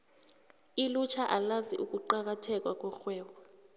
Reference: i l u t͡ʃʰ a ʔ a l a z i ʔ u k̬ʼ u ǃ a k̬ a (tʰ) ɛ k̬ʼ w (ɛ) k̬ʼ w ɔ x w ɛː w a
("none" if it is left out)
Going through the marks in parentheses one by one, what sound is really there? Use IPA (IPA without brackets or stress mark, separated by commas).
tʰ, a